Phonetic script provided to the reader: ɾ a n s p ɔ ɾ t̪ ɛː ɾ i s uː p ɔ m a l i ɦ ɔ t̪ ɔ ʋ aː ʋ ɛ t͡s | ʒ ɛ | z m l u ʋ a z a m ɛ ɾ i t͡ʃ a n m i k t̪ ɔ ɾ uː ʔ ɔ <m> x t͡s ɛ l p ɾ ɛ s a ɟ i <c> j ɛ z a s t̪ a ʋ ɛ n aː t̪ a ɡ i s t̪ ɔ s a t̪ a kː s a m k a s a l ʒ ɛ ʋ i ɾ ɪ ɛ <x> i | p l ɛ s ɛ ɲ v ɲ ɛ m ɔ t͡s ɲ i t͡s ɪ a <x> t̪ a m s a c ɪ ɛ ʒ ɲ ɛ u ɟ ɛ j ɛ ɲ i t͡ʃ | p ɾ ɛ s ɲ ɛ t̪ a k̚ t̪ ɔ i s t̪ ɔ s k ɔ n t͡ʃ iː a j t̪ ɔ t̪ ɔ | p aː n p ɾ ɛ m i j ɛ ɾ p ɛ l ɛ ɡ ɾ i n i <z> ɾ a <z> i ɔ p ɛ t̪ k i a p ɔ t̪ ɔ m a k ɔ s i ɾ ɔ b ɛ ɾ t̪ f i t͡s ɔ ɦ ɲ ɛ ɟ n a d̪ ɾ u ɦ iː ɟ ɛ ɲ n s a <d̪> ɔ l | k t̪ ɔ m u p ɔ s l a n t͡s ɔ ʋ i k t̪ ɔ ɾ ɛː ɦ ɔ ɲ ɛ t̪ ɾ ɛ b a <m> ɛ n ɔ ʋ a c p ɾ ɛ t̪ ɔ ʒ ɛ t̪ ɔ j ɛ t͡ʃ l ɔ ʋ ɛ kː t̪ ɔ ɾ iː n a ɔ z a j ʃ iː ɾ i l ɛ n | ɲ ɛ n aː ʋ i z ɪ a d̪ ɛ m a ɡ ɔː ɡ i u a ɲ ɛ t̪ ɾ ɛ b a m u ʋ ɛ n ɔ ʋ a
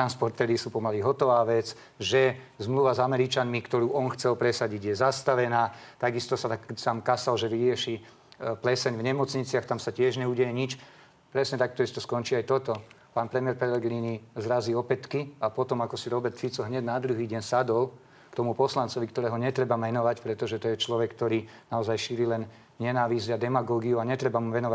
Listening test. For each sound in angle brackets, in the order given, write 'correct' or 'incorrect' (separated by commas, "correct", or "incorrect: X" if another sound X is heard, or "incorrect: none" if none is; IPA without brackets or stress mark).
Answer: incorrect: n, incorrect: ɟ, incorrect: ʃ, correct, correct, correct, correct, correct